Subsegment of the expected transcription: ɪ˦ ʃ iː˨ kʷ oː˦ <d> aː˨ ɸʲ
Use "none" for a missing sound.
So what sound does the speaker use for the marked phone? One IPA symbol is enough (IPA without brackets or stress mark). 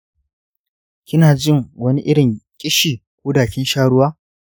d